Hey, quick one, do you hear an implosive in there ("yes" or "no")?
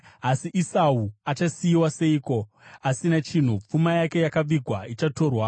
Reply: no